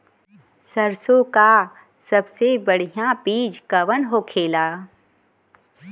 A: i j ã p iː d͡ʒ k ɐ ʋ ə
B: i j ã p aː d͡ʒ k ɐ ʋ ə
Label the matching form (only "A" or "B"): A